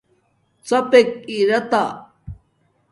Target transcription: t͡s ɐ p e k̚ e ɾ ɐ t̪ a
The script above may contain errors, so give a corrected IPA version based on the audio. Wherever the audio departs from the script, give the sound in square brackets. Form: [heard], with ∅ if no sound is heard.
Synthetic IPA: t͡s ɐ p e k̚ [i] ɾ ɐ t̪ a